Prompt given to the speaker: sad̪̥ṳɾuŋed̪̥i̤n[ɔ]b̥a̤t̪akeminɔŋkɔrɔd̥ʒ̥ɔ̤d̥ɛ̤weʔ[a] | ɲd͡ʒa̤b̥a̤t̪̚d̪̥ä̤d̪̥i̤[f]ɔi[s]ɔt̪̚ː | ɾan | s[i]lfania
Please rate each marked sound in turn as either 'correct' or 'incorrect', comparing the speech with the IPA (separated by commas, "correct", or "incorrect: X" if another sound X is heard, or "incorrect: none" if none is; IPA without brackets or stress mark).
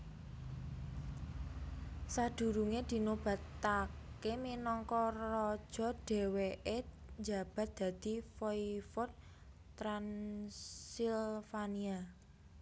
incorrect: o, incorrect: e, correct, incorrect: f, correct